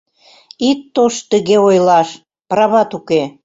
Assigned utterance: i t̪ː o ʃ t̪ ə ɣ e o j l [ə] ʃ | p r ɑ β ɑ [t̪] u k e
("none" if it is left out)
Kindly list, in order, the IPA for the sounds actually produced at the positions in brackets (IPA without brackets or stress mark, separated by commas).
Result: ɑ, t̪